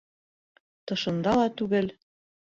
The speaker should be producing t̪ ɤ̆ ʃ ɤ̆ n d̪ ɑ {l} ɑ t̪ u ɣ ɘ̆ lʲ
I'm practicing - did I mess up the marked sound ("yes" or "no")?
no